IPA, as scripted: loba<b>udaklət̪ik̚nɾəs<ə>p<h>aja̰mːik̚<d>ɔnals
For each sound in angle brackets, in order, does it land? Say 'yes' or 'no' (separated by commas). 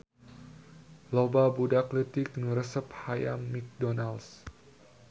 yes, yes, yes, yes